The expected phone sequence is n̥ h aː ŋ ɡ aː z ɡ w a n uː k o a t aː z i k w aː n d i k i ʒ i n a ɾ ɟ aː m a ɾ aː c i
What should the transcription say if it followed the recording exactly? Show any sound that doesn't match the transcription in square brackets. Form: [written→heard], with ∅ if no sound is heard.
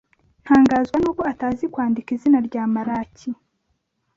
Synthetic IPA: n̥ h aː ŋ ɡ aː z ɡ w a n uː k o a t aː z i k w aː n d i k i [ʒ→z] i n a ɾ ɟ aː m a ɾ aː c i